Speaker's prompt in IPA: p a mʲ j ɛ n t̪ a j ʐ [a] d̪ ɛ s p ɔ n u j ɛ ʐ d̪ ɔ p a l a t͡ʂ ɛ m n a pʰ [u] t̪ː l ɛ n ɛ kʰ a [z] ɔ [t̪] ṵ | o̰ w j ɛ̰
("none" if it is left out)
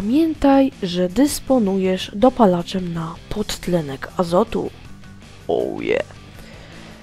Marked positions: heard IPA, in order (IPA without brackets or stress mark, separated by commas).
ɛ, ɔ, z, t̪